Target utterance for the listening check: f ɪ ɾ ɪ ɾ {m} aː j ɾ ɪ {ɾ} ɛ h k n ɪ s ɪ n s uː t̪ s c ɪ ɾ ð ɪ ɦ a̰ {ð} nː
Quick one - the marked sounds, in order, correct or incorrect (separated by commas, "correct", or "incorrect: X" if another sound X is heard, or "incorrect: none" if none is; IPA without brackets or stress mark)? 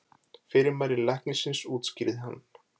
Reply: correct, incorrect: l, incorrect: none